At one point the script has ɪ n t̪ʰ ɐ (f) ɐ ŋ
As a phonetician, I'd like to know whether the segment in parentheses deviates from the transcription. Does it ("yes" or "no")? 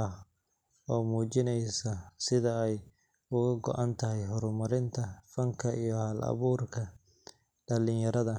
no